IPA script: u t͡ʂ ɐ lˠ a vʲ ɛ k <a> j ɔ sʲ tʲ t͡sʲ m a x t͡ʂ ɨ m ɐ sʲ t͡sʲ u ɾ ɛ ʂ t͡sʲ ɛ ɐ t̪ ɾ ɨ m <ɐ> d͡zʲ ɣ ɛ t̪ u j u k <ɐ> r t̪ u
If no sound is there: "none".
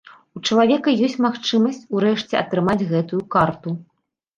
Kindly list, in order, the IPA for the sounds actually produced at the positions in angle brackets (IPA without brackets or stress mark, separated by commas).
ɐ, a, a